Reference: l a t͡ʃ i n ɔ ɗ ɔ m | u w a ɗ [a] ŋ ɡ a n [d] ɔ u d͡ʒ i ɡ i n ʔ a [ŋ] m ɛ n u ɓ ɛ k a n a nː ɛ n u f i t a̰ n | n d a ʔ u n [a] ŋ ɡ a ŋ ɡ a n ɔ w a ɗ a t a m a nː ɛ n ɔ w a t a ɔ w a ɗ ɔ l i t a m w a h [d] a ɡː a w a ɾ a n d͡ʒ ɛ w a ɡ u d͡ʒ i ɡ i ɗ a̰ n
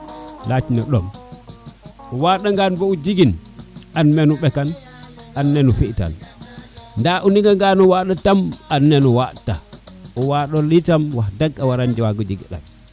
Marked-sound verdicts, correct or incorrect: correct, incorrect: b, incorrect: n, incorrect: i, correct

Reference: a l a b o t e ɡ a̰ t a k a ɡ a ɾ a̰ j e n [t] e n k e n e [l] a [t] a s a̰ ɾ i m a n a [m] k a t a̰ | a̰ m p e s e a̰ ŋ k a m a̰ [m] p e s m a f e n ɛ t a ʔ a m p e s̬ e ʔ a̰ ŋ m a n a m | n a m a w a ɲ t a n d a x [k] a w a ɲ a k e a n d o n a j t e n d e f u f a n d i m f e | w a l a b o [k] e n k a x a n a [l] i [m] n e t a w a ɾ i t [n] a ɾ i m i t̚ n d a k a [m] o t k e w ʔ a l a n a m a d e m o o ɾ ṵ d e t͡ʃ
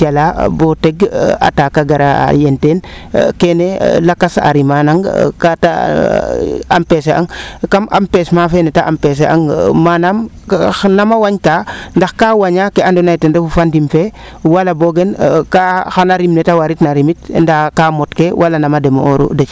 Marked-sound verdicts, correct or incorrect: correct, correct, incorrect: k, incorrect: ŋ, correct, correct, incorrect: ɡ, incorrect: ɾ, correct, correct, correct

